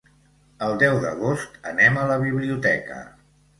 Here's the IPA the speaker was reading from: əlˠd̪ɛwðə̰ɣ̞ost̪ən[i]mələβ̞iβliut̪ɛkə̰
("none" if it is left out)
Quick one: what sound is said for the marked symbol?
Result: ɛ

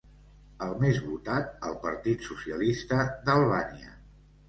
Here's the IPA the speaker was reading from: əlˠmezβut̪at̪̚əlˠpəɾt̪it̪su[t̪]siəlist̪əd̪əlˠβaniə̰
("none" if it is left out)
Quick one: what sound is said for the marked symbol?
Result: none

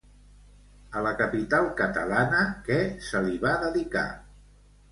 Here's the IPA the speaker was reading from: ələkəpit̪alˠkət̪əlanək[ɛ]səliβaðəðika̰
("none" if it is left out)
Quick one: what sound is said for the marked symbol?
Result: ɛ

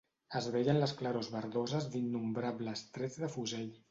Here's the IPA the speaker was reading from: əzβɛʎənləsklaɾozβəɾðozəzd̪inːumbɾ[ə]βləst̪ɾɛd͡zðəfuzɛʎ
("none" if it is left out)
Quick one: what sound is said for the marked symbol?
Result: a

